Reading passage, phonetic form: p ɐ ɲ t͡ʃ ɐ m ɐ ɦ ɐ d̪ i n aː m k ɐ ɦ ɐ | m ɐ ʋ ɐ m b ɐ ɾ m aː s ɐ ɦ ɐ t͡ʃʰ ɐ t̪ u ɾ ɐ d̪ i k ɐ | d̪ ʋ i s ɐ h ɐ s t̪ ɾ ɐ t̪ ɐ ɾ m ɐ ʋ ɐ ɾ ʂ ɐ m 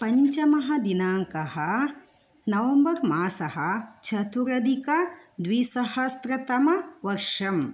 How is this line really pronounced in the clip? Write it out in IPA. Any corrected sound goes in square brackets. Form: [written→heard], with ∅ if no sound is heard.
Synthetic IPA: p ɐ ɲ t͡ʃ ɐ m ɐ ɦ ɐ d̪ i n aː [m→ŋ] k ɐ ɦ ɐ | [m→n] ɐ ʋ ɐ m b ɐ ɾ m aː s ɐ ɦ ɐ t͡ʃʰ ɐ t̪ u ɾ ɐ d̪ i k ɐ | d̪ ʋ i s ɐ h ɐ s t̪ ɾ ɐ t̪ ɐ [ɾ→∅] m ɐ ʋ ɐ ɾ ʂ ɐ m